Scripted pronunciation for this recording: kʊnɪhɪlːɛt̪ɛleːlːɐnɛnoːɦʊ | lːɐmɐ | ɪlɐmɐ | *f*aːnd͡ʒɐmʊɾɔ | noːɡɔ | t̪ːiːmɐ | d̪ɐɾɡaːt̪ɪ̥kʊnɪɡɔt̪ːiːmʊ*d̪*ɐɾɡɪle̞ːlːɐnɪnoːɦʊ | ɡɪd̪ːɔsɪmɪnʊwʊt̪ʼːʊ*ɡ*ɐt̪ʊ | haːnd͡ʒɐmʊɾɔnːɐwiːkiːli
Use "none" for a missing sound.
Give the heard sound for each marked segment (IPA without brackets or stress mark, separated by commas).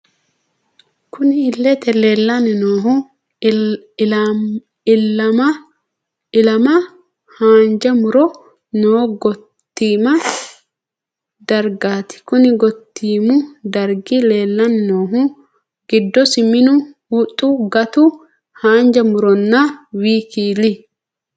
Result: h, d̪, ɡ